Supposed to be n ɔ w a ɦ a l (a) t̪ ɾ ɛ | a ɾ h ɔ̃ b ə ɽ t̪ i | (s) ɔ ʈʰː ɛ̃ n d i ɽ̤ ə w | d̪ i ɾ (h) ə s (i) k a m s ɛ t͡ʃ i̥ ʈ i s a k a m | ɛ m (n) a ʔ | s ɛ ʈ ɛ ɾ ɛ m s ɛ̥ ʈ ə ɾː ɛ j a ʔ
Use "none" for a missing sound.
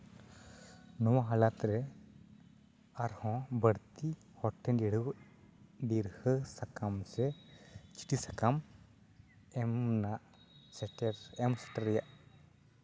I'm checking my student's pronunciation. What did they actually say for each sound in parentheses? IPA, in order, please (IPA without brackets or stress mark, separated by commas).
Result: a, h, h, a, n